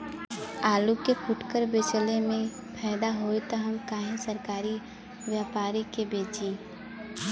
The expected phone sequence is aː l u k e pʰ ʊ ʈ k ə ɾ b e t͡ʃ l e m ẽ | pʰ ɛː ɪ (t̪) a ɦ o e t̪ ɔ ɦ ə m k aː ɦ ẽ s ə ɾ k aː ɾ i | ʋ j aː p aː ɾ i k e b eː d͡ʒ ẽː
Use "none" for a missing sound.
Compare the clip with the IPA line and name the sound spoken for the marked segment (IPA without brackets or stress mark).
d̪